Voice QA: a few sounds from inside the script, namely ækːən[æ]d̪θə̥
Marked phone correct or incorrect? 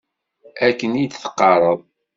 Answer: incorrect